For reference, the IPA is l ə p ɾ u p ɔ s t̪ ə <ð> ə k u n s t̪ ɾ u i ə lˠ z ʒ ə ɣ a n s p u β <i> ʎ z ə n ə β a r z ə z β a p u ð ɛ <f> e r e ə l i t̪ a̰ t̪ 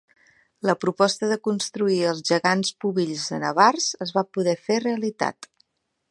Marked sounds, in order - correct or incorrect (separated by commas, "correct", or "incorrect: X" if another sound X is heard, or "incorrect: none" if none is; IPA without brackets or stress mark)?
correct, correct, correct